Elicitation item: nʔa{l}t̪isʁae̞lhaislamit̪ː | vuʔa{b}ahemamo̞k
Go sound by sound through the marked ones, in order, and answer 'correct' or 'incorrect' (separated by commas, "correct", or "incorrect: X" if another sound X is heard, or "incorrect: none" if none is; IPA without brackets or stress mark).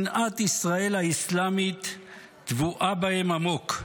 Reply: incorrect: none, correct